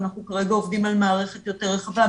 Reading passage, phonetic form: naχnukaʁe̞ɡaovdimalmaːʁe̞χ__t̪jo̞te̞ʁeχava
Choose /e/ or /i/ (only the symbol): e